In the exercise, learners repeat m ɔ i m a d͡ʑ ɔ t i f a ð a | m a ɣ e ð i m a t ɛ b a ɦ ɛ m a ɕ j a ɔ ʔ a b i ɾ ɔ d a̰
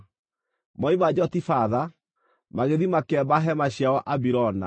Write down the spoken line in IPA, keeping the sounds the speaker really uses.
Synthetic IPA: m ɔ i m a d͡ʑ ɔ t i f a ð a | m a ɣ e ð i m a k ɛ b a ɦ ɛ m a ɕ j a ɔ ʔ a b i ɾ ɔ n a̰